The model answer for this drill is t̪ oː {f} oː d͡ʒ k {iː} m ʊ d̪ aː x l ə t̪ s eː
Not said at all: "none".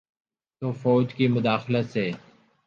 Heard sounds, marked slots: f, iː

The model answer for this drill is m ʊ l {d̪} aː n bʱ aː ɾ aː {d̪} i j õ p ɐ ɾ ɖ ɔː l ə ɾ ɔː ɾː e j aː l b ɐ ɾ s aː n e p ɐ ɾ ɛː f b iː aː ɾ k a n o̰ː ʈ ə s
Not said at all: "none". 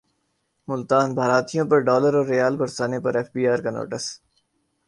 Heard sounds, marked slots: t̪, t̪

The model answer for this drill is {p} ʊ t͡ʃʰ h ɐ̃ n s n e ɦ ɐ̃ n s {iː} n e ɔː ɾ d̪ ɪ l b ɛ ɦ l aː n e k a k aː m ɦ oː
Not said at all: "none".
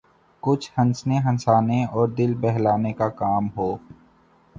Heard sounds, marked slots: k, aː

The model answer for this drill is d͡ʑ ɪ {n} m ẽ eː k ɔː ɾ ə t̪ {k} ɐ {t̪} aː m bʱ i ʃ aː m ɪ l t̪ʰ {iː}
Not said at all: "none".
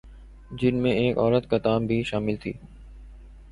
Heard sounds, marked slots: n, k, t̪, iː

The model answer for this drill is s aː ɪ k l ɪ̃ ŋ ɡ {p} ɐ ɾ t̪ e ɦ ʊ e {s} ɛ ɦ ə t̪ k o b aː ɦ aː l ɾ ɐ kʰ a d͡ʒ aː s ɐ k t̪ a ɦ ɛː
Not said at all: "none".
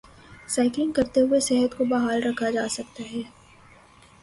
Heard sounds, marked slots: k, s

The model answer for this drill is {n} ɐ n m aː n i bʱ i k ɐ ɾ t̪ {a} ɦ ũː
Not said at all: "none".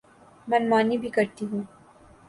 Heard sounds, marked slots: m, i

